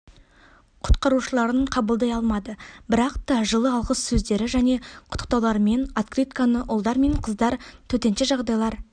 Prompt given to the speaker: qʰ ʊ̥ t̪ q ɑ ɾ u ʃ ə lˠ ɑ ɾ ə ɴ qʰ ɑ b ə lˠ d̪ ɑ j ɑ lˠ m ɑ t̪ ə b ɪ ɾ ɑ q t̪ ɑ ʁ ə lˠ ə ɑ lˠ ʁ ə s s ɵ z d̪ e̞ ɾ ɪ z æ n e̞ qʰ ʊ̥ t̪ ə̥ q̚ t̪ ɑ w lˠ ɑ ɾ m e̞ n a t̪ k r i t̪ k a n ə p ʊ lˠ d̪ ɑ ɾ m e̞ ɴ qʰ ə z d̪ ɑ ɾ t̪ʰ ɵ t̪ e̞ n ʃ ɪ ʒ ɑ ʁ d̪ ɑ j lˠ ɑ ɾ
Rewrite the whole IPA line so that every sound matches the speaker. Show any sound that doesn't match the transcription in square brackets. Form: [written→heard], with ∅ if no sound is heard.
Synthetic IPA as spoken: qʰ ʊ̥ t̪ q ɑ ɾ u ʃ ə lˠ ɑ ɾ ə ɴ qʰ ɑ b ə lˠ d̪ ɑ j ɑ lˠ m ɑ [t̪→d̪] ə b ɪ ɾ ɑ q t̪ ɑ [ʁ→ʒ] ə lˠ ə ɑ lˠ ʁ ə s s ɵ z d̪ e̞ ɾ ɪ [z→ʒ] æ n e̞ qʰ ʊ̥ t̪ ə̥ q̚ t̪ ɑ w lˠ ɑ ɾ m e̞ n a t̪ k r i t̪ k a n ə [p→ʔ] ʊ lˠ d̪ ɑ ɾ m e̞ ɴ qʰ ə z d̪ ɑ ɾ t̪ʰ ɵ t̪ e̞ n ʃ ɪ ʒ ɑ ʁ d̪ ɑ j lˠ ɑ ɾ